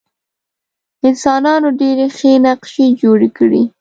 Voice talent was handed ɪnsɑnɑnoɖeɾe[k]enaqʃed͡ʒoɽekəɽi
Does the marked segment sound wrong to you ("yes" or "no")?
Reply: yes